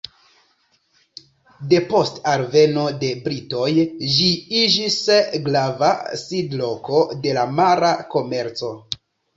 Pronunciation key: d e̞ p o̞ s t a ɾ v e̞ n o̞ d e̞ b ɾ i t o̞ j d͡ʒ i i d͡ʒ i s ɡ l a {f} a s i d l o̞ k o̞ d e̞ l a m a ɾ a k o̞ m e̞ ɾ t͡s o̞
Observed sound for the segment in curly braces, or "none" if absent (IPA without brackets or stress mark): v